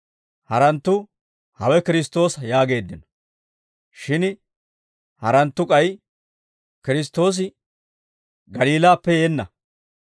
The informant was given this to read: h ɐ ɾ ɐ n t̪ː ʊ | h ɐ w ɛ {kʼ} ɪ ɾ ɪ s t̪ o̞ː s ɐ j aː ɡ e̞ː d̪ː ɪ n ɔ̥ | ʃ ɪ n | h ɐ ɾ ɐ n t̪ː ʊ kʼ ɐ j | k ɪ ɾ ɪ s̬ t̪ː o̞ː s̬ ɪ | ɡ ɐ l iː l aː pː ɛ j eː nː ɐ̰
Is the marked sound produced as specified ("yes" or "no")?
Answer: no